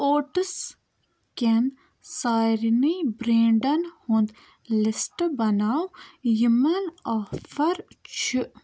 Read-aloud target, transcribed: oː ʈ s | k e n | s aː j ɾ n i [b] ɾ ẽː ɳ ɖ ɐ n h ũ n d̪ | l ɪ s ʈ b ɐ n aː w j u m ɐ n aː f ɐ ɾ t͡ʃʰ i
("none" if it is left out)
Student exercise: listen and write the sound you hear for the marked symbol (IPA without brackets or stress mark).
b